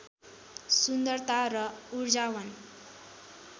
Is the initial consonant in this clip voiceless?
yes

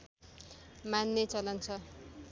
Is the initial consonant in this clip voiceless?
no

